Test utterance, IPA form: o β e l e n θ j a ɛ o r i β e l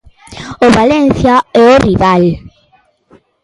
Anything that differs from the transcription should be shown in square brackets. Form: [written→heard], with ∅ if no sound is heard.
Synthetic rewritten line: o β [e→a] l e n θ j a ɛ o r i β [e→a] l